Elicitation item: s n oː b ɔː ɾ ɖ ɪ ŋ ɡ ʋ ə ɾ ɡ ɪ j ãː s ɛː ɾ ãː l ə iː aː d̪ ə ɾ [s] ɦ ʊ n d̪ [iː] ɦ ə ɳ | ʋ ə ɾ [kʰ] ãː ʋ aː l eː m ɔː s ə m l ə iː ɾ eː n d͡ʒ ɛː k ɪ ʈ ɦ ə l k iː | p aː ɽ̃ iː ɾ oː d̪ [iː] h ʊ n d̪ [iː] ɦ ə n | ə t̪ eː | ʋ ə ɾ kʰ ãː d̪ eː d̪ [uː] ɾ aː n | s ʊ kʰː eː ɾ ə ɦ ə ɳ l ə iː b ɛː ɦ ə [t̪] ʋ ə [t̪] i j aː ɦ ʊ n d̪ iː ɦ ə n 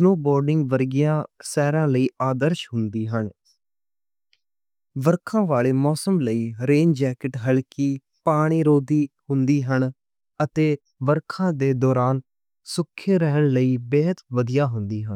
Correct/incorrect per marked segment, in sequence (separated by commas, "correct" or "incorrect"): incorrect, correct, correct, correct, correct, incorrect, correct, incorrect